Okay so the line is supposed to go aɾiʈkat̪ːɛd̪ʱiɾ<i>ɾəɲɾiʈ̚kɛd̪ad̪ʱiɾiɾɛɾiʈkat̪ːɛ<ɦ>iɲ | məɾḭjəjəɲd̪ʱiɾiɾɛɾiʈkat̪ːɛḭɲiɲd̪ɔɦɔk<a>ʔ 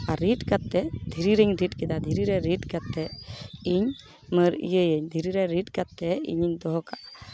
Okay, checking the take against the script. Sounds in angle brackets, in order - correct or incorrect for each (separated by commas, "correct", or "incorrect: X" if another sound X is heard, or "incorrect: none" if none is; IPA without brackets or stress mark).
correct, incorrect: none, correct